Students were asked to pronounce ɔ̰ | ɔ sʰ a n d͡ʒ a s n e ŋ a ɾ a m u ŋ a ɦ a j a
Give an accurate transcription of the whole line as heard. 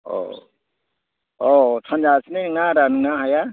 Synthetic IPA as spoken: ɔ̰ | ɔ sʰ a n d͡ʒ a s n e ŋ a ɾ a n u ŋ a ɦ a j a